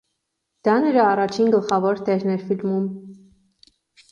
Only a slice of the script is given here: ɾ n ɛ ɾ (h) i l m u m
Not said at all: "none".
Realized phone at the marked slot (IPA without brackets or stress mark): f